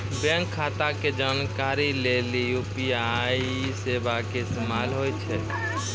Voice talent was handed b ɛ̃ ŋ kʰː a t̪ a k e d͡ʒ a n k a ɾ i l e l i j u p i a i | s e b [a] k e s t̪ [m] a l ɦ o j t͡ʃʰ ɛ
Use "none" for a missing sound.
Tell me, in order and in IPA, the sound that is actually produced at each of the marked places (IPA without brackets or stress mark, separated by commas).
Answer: a, m